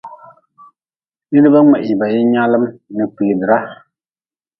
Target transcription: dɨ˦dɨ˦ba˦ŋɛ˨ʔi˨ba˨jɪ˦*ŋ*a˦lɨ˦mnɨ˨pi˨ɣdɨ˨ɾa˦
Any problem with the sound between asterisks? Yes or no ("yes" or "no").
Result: yes